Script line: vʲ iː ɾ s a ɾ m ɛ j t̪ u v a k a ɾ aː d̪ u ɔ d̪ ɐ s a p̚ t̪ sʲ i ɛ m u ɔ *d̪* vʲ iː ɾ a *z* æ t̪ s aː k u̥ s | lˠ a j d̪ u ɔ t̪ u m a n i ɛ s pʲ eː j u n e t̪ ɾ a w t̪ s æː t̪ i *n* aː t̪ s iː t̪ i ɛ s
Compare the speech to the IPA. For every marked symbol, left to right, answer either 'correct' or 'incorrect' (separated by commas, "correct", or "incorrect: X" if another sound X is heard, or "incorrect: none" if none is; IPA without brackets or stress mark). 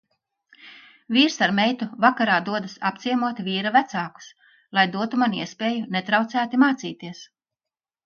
incorrect: t̪, incorrect: v, incorrect: m